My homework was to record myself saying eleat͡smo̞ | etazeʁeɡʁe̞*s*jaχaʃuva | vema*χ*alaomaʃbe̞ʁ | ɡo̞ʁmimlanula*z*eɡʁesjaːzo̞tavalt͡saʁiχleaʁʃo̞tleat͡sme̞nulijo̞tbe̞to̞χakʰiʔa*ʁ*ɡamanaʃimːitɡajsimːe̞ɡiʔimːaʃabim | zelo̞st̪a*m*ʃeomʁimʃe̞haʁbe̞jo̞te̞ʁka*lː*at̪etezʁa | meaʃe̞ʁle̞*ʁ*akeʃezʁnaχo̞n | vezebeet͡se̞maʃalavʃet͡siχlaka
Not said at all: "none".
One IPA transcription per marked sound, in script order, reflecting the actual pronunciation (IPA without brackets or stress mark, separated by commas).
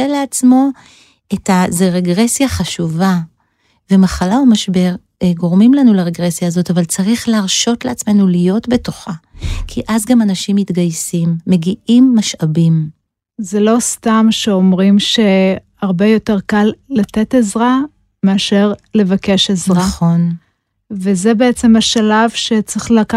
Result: s, χ, ʁ, z, m, lː, v